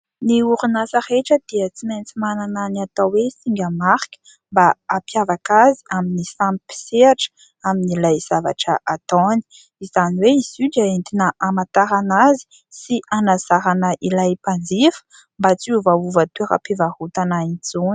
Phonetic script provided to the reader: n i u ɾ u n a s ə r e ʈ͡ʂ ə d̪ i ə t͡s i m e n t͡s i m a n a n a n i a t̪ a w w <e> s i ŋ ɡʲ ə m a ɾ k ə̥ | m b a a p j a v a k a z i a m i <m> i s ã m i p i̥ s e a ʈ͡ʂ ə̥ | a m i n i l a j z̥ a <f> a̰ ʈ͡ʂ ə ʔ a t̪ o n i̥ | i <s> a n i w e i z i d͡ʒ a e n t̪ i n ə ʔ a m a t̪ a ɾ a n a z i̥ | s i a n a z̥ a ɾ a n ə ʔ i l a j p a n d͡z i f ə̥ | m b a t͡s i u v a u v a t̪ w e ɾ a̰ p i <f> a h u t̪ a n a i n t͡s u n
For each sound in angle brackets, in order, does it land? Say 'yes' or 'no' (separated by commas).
yes, no, no, no, no